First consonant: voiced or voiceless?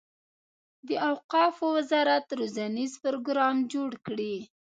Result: voiced